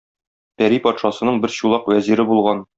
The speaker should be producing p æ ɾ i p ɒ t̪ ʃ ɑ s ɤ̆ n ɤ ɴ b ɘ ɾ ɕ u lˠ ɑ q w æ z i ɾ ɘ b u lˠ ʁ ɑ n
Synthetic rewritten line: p æ ɾ i p ɒ t̪ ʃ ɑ s ɤ̆ n ɤ ɴ b ɘ ɾ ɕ u lˠ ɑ q w æ z i ɾ ɘ b u lˠ ʁ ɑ n